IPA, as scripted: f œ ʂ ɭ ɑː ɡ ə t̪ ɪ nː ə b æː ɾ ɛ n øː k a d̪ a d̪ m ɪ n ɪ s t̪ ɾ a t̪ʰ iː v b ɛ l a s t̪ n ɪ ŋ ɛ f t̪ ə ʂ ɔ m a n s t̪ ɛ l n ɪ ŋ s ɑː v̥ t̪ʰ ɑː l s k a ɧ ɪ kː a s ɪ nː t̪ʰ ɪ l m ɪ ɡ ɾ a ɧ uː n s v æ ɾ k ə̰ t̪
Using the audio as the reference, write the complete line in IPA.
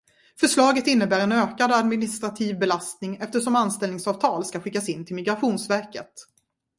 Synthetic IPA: f œ ʂ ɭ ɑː ɡ ə t̪ ɪ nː ə b æː ɾ ɛ n øː k a d̪ a d̪ m ɪ n ɪ s t̪ ɾ a t̪ʰ iː v b ɛ l a s t̪ n ɪ ŋ ɛ f t̪ ə ʂ ɔ m a n s t̪ ɛ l n ɪ ŋ s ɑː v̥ t̪ʰ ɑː l s k a ɧ ɪ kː a s ɪ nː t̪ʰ ɪ l m ɪ ɡ ɾ a ɧ uː n s v æ ɾ k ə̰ t̪